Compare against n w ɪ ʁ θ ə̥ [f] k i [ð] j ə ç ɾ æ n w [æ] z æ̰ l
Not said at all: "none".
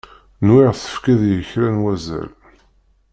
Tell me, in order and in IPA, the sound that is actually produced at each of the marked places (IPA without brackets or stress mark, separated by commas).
f, ð, æ